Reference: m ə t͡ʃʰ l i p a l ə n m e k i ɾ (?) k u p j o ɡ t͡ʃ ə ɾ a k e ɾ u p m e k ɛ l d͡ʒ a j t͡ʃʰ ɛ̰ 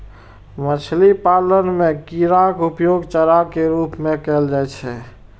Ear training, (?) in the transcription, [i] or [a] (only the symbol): a